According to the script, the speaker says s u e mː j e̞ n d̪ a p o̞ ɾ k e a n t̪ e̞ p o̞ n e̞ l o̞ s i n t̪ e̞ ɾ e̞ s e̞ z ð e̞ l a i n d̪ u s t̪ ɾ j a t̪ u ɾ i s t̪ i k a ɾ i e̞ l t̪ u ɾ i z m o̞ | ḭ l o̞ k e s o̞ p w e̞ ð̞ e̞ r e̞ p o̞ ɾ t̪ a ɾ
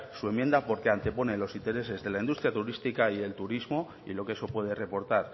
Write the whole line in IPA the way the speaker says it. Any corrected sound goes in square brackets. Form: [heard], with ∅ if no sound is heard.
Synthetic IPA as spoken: s u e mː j e̞ n d̪ a p o̞ ɾ k e a n t̪ e̞ p o̞ n e̞ l o̞ s i n t̪ e̞ ɾ e̞ s e̞ z ð e̞ l a i n d̪ u s t̪ ɾ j a t̪ u ɾ i s t̪ i k a [∅] i e̞ l t̪ u ɾ i z m o̞ | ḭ l o̞ k e s o̞ p w e̞ ð̞ e̞ r e̞ p o̞ ɾ t̪ a ɾ